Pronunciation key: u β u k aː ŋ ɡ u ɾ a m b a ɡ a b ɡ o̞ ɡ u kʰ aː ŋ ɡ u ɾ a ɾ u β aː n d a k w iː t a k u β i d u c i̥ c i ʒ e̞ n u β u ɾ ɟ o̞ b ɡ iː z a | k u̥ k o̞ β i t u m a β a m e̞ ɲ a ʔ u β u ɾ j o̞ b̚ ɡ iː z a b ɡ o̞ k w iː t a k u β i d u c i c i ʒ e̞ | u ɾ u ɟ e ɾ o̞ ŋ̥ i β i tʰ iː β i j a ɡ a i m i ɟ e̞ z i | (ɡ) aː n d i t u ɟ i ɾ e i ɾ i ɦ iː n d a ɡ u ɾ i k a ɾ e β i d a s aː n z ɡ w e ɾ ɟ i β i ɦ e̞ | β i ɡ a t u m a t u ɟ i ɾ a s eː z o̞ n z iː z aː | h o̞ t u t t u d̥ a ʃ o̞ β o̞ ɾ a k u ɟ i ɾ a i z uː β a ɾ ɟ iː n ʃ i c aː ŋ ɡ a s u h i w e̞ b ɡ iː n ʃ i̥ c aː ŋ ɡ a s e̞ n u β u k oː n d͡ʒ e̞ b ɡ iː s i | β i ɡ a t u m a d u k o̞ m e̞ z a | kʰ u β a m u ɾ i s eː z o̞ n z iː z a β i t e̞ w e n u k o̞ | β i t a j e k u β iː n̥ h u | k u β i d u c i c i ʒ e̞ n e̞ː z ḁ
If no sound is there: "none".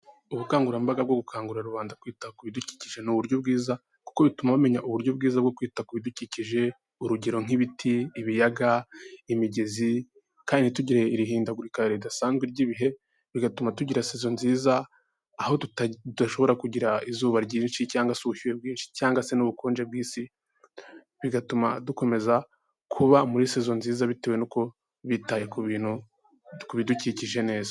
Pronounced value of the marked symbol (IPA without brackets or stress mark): k